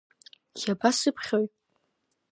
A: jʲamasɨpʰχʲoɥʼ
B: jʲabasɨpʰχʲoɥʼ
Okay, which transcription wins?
B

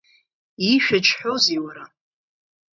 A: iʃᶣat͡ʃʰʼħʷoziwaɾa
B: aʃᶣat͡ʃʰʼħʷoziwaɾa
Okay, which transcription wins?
A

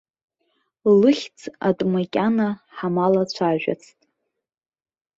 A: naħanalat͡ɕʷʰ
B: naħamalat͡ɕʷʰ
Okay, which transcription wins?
B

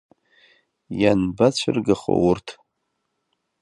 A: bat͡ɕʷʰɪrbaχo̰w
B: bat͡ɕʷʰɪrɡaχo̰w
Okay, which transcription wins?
B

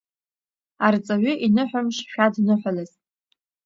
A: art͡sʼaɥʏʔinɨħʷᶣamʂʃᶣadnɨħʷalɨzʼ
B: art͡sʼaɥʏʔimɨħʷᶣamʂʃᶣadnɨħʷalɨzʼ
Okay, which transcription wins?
A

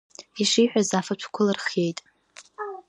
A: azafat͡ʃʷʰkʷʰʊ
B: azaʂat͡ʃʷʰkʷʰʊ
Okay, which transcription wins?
A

